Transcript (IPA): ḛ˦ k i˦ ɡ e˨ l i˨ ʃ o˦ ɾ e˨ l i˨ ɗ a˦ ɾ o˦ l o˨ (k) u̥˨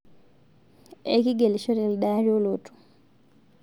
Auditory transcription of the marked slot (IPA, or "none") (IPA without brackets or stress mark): t